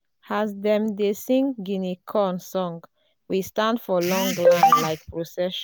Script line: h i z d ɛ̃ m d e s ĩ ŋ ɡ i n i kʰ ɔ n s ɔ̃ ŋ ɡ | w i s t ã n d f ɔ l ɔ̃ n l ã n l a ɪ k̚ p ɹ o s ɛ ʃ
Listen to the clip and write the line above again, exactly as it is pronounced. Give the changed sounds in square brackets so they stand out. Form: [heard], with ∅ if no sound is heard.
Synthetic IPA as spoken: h [a] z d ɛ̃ m d e s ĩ ŋ ɡ i n i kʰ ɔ n s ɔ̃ ŋ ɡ | w i s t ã n d f ɔ l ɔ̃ [ŋ] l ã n l a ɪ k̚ p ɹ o s ɛ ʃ